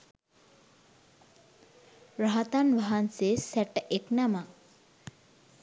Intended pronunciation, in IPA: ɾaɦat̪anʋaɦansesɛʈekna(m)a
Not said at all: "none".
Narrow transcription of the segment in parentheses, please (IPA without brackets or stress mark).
m